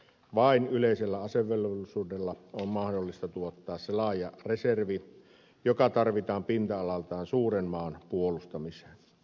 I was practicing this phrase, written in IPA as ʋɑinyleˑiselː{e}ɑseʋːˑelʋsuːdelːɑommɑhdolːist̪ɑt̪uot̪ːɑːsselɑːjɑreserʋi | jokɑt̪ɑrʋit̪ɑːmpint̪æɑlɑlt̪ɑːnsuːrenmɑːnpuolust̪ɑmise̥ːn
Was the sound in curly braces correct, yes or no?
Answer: no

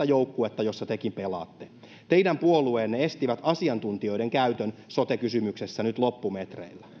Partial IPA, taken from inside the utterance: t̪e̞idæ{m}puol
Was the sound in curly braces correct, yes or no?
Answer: yes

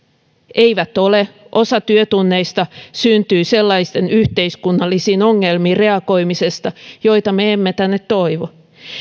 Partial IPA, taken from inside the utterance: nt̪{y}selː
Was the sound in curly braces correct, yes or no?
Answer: no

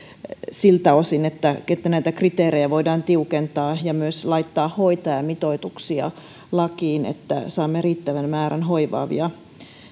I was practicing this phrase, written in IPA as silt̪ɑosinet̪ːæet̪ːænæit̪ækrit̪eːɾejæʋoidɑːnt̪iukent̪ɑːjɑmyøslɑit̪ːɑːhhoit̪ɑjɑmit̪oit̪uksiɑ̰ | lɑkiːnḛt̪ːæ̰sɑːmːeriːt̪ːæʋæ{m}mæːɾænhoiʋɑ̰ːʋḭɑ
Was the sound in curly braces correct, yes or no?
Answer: no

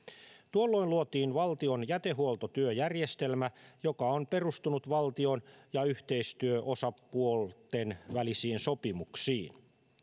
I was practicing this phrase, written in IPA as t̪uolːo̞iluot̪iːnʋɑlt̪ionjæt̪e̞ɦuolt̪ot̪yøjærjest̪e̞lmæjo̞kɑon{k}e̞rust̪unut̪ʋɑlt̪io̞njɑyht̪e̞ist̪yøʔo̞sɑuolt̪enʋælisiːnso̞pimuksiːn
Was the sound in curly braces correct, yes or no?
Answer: no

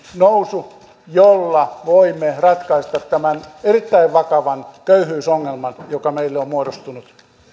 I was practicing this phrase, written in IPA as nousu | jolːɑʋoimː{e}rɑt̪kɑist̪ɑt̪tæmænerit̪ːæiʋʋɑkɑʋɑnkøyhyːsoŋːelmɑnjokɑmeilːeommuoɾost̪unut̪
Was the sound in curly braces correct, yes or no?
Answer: yes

